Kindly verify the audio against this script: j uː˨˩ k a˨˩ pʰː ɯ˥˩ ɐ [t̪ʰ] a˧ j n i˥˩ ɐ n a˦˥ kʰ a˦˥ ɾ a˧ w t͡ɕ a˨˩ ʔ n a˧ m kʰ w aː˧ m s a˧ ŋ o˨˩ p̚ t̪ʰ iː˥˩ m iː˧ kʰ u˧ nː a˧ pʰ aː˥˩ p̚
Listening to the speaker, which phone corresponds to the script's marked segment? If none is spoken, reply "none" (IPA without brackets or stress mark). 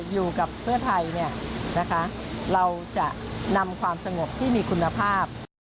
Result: t̪ʰ